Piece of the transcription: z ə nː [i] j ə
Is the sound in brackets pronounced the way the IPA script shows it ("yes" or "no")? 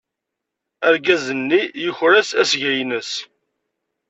yes